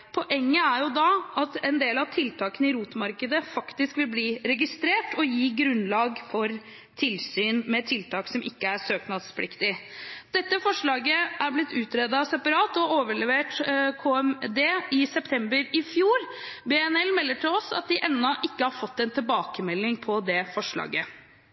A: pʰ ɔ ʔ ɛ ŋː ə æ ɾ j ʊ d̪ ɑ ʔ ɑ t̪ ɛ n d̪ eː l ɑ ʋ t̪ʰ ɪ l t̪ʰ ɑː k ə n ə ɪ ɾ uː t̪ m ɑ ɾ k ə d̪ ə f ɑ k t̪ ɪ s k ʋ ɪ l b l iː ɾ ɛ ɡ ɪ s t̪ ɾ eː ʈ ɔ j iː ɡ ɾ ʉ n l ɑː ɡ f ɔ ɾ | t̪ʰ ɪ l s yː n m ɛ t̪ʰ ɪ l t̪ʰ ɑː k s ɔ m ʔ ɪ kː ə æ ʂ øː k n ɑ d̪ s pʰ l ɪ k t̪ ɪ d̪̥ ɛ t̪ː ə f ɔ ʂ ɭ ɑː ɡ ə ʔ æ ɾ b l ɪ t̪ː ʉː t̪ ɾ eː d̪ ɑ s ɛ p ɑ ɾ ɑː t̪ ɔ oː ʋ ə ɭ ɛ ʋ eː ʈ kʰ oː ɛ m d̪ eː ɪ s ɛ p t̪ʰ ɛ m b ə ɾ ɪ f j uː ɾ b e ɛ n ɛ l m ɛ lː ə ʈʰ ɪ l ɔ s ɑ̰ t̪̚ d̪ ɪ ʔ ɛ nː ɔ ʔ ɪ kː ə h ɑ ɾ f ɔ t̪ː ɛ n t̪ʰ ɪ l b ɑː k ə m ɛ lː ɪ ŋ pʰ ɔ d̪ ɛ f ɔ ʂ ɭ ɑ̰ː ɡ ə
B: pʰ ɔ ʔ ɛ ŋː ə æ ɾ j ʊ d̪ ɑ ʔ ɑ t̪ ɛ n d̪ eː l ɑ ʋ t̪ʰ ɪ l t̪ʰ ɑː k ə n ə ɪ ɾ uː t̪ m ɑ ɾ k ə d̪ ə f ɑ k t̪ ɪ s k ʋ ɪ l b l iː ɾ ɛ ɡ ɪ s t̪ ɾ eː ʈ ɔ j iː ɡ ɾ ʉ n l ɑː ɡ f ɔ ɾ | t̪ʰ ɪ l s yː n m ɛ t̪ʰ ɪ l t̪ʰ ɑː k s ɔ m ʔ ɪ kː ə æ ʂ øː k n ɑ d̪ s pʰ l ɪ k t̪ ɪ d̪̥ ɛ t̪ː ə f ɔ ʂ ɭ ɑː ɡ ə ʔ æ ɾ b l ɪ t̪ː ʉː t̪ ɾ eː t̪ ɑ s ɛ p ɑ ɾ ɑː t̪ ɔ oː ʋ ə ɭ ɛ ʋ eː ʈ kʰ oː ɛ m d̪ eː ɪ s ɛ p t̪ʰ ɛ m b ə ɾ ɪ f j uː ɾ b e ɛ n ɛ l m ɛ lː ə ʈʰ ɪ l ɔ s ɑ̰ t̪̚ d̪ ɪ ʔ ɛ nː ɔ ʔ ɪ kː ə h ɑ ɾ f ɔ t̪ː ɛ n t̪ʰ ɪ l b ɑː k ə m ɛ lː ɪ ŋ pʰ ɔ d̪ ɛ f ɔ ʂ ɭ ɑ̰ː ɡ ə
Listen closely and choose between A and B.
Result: A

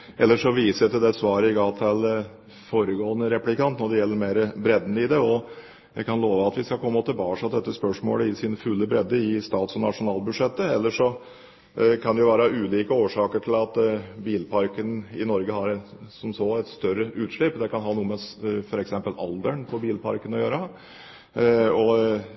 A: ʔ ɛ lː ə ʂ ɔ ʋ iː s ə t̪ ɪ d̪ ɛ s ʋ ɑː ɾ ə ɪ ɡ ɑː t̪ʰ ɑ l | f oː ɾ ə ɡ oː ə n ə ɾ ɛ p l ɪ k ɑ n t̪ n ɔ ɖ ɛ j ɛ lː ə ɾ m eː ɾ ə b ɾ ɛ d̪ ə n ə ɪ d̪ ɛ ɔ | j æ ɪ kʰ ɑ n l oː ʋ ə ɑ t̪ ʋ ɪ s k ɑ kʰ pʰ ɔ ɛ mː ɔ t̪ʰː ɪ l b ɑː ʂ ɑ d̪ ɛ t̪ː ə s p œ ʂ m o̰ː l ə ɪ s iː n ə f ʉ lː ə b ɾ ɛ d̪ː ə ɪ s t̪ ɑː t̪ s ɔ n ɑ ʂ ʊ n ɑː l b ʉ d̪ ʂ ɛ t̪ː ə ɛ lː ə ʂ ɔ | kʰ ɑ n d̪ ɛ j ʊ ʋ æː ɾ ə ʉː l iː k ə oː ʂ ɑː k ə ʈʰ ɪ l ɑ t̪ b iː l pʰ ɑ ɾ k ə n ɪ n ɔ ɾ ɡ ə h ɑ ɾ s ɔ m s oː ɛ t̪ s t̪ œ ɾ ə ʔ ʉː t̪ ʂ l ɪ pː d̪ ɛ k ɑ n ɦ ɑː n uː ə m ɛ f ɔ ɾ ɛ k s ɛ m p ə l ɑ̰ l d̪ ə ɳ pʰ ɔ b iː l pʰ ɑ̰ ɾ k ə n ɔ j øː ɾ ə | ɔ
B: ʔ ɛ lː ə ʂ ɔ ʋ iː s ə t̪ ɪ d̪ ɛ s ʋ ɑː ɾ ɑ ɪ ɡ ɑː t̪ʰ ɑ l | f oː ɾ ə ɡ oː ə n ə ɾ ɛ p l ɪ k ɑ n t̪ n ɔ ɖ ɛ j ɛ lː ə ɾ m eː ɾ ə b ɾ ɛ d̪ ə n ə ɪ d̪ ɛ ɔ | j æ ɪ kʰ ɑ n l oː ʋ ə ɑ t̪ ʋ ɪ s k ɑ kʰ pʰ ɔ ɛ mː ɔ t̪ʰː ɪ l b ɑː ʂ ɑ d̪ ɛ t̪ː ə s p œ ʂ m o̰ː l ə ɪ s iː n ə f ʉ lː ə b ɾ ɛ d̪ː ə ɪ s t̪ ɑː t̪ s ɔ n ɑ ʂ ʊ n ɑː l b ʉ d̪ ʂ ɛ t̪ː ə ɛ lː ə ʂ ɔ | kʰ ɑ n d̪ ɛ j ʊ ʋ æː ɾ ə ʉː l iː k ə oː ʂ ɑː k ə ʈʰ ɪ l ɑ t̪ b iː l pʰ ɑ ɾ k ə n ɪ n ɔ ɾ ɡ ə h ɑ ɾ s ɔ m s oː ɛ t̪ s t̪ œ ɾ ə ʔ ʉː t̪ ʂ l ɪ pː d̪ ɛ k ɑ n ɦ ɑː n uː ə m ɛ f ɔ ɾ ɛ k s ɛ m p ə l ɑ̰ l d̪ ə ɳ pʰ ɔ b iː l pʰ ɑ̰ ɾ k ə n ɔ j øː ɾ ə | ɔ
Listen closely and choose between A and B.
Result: A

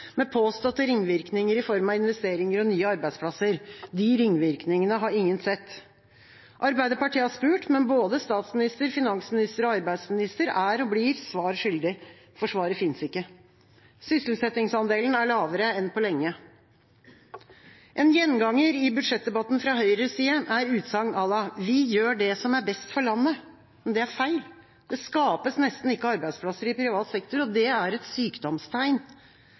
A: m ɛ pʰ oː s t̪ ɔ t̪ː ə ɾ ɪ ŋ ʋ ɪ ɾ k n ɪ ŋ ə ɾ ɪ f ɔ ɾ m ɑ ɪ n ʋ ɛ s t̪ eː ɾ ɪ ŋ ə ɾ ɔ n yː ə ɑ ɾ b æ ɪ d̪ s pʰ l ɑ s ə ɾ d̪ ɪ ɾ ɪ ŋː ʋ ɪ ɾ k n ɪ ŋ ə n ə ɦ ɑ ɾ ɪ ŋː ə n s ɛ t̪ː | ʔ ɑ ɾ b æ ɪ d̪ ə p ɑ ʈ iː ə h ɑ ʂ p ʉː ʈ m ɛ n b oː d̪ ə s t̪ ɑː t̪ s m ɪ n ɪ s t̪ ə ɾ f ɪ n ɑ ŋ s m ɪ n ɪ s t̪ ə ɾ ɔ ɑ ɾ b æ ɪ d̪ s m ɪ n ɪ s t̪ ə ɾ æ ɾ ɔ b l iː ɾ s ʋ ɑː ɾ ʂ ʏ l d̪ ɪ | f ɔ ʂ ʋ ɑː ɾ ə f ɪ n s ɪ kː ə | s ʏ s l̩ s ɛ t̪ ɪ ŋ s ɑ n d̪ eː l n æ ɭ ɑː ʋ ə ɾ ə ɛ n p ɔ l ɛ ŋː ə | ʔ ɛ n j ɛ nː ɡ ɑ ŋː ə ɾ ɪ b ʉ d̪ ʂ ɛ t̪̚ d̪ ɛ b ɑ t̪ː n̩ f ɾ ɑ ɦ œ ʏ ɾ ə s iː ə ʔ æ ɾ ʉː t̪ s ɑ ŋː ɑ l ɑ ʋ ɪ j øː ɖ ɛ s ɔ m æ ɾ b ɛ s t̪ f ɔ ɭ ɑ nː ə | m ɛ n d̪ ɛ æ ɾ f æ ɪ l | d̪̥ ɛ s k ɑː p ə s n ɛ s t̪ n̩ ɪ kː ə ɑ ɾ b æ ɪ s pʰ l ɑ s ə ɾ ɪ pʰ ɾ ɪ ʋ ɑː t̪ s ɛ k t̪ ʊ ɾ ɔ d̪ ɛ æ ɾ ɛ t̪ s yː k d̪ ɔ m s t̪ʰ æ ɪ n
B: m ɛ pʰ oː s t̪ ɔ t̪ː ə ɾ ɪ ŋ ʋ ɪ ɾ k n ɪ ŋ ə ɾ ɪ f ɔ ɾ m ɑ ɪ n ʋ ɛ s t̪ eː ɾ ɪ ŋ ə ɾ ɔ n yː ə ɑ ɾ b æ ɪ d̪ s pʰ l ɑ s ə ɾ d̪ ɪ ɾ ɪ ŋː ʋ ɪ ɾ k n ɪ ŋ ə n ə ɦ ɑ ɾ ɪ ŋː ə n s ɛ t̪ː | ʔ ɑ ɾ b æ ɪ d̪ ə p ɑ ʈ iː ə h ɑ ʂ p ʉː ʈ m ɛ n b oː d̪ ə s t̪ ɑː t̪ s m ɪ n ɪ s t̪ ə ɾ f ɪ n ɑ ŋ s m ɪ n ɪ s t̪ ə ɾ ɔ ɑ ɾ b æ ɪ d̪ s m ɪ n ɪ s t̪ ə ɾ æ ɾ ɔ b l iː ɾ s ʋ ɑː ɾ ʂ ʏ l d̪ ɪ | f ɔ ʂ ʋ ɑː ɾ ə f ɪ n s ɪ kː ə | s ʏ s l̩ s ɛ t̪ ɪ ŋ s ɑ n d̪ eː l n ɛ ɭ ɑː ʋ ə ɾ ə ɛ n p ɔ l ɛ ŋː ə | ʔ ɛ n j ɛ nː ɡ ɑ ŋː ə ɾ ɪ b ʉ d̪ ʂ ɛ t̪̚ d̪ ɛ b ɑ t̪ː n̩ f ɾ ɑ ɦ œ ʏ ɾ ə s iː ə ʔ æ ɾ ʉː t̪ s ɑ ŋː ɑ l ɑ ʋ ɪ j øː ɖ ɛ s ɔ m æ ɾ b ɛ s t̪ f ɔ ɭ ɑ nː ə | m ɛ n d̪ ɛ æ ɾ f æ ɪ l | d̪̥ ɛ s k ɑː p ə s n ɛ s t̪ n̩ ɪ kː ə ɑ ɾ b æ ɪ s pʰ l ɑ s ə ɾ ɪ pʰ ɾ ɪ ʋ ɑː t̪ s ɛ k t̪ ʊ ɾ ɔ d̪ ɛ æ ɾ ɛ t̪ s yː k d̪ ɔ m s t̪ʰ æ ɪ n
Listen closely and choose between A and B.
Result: A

